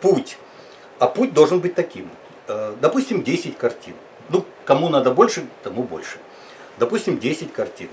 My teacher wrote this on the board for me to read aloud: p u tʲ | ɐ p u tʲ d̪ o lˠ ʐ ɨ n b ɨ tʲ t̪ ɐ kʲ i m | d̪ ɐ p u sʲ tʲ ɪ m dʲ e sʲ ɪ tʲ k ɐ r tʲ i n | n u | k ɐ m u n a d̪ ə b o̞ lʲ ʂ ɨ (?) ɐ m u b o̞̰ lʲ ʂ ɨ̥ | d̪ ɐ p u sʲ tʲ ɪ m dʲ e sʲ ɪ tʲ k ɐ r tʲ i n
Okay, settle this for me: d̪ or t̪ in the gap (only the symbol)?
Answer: t̪